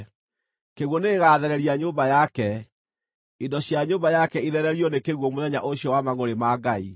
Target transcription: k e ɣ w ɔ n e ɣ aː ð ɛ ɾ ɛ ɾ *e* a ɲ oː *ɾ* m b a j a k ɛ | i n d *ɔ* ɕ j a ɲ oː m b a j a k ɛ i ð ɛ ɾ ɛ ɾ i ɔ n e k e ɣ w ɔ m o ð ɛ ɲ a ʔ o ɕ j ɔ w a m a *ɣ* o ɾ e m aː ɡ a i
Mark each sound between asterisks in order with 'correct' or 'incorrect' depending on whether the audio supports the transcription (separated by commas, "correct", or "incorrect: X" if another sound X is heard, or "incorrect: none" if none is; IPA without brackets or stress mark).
incorrect: i, incorrect: none, correct, correct